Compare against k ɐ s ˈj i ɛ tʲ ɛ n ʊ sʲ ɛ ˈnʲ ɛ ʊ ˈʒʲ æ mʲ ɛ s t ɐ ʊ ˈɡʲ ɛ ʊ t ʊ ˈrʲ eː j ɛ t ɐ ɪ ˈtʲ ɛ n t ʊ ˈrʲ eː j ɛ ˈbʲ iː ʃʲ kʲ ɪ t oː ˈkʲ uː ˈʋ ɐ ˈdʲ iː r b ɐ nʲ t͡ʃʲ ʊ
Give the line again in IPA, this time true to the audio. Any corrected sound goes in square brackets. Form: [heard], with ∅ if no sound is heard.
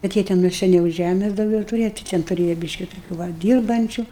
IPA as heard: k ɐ [t] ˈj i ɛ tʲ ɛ n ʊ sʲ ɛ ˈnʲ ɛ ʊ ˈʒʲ æ mʲ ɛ s [d] ɐ ʊ ˈɡʲ ɛ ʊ t ʊ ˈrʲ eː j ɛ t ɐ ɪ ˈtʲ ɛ n t ʊ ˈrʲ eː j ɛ ˈbʲ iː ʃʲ kʲ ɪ t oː ˈkʲ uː ˈʋ ɐ ˈdʲ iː r b ɐ nʲ t͡ʃʲ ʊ

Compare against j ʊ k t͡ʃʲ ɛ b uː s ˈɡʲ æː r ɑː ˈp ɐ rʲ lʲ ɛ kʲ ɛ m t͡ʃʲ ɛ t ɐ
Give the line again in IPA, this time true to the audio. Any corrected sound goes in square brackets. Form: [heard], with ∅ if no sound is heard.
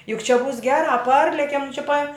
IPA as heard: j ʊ k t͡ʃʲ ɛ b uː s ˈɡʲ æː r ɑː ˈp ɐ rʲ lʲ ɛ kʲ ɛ m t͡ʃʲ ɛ [p] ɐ

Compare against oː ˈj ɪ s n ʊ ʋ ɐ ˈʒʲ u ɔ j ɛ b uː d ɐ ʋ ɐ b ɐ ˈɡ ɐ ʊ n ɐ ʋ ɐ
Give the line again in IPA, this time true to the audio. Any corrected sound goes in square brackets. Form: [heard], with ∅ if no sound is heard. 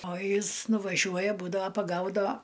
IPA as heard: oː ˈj ɪ s n ʊ ʋ ɐ ˈʒʲ u ɔ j ɛ b uː d ɐ ʋ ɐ [p] ɐ ˈɡ ɐ ʊ [d] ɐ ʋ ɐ

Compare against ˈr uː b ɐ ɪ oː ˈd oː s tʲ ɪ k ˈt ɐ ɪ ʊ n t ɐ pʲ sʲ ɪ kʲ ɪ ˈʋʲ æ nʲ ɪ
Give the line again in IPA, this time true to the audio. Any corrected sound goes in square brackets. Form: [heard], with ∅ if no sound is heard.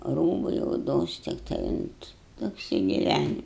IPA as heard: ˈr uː b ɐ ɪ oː ˈd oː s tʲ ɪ k ˈt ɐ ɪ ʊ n t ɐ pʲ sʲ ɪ [ɡʲ] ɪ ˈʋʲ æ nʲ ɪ

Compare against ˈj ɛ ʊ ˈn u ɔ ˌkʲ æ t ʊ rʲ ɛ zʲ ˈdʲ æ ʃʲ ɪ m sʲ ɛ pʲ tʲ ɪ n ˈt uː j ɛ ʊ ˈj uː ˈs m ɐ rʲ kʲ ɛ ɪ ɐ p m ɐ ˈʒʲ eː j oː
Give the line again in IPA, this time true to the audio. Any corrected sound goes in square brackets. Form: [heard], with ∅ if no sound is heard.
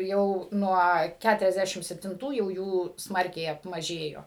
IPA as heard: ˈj ɛ ʊ ˈn u ɔ ˌkʲ æ t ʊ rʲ ɛ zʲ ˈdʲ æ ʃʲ ɪ m sʲ ɛ pʲ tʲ ɪ n ˈt uː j ɛ ʊ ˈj uː ˈs m ɐ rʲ kʲ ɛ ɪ ɐ p m ɐ ˈʒʲ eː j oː

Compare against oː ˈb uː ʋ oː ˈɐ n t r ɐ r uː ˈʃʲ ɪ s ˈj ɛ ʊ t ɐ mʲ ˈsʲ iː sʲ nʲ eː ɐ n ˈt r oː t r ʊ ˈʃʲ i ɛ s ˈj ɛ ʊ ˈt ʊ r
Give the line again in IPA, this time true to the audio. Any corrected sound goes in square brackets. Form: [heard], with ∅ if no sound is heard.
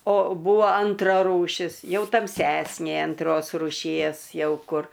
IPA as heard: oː ˈb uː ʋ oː ˈɐ n t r ɐ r uː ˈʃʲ ɪ s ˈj ɛ ʊ t ɐ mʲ ˈsʲ [æː] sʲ nʲ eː ɐ n ˈt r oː [s] r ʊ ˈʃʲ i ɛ s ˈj ɛ ʊ [ˈk] ʊ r

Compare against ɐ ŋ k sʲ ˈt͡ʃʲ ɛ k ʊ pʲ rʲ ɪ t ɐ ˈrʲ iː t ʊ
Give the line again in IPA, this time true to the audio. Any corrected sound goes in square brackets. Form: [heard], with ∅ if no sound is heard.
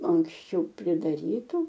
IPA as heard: ɐ ŋ k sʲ ˈt͡ʃʲ ɛ [∅] ʊ pʲ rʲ ɪ [d] ɐ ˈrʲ iː t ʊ

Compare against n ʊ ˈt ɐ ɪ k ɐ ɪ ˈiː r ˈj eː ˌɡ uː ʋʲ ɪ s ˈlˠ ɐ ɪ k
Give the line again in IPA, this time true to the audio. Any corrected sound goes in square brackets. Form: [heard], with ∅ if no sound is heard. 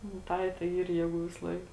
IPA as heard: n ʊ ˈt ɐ ɪ [t] ɐ ɪ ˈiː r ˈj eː ˌɡ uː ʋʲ ɪ s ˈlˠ ɐ ɪ k

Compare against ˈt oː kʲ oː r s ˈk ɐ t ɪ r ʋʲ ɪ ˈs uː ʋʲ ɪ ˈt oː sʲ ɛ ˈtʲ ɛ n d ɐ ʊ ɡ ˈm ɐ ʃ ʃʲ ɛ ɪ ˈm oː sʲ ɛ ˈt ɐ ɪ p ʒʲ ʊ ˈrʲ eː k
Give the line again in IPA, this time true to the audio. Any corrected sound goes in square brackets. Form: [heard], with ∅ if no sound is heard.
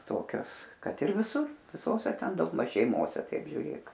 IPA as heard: ˈt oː kʲ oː [∅] s ˈk ɐ t ɪ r ʋʲ ɪ ˈs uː ʋʲ ɪ [ˈs] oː sʲ ɛ ˈtʲ ɛ n d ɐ ʊ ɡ ˈm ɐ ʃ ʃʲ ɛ ɪ ˈm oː sʲ ɛ ˈt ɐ ɪ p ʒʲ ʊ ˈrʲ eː k

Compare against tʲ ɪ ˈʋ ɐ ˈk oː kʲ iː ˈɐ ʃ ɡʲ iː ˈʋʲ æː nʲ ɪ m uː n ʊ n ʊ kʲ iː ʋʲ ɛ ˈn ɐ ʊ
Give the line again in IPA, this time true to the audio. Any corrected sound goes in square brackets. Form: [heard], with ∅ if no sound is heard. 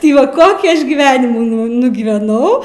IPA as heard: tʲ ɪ ˈʋ ɐ ˈk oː kʲ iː ˈɐ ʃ ɡʲ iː ˈʋʲ æː nʲ ɪ m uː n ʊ n ʊ [ɡʲ] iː ʋʲ ɛ ˈn ɐ ʊ

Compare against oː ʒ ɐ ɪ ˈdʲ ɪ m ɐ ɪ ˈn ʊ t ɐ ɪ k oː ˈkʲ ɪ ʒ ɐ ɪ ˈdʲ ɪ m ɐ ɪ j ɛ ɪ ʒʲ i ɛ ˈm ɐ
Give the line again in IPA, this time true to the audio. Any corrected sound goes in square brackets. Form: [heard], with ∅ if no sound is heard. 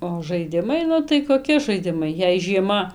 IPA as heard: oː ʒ ɐ ɪ ˈdʲ ɪ m ɐ ɪ ˈn ʊ t ɐ ɪ k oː ˈkʲ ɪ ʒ ɐ ɪ ˈdʲ ɪ m ɐ ɪ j ɛ ɪ ʒʲ i ɛ ˈm ɐ

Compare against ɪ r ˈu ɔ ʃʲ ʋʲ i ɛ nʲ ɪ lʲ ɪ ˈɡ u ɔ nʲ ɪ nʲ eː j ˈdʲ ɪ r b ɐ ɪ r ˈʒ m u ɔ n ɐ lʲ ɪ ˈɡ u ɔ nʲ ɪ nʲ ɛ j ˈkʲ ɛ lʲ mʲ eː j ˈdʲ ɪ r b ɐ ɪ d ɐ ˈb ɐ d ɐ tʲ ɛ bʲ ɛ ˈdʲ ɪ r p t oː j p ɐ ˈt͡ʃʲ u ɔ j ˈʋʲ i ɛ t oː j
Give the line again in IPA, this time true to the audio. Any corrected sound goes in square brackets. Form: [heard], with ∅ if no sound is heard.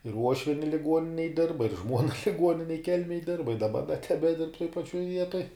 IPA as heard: ɪ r ˈu ɔ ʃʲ ʋʲ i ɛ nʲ ɪ lʲ ɪ ˈɡ u ɔ nʲ ɪ nʲ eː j ˈdʲ ɪ r b ɐ ɪ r ˈʒ m u ɔ n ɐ lʲ ɪ ˈɡ u ɔ nʲ ɪ nʲ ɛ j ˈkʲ ɛ lʲ mʲ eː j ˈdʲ ɪ r b ɐ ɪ d ɐ ˈb ɐ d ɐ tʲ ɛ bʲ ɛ ˈdʲ ɪ r p t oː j p ɐ ˈt͡ʃʲ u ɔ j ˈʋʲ i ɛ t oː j

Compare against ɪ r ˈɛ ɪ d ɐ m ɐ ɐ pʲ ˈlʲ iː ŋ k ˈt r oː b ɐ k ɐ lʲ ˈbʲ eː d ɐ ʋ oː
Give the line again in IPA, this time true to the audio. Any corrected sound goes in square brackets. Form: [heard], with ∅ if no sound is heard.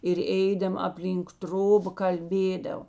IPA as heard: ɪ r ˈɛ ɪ d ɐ m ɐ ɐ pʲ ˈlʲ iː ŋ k ˈt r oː b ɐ k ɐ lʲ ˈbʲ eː d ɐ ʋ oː

